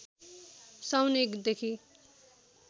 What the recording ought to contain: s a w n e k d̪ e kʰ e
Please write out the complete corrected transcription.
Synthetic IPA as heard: s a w n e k d̪ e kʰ i